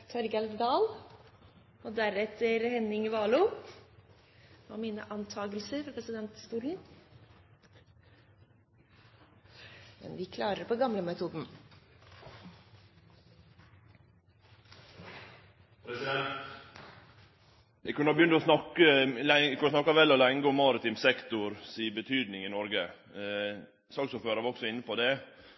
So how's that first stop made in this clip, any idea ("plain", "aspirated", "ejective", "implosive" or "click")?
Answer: aspirated